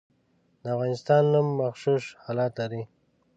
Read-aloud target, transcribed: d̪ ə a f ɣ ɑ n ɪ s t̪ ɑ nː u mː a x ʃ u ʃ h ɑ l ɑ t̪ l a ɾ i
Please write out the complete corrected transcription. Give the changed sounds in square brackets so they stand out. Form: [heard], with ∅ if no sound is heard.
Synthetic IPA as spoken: d̪ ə a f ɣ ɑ n ɪ s t̪ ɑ nː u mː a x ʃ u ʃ h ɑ l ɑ t̪ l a ɾ i